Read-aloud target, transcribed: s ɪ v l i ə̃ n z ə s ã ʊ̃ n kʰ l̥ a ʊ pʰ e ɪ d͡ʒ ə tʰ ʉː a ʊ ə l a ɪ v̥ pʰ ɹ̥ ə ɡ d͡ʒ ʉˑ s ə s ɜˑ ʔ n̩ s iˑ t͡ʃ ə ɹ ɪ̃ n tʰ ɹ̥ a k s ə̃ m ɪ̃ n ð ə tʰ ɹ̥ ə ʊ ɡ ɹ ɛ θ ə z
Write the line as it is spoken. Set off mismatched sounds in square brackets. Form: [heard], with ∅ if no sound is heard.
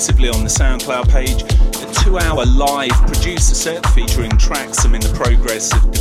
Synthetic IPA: s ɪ v l i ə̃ n [ð] ə s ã ʊ̃ n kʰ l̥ a ʊ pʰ e ɪ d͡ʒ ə tʰ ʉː a ʊ ə l a ɪ v̥ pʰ ɹ̥ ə [∅] d͡ʒ ʉˑ s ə s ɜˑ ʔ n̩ [f] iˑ t͡ʃ ə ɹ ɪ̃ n tʰ ɹ̥ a k s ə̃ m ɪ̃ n ð ə [pʰ] ɹ̥ ə ʊ ɡ ɹ ɛ [s] ə [v]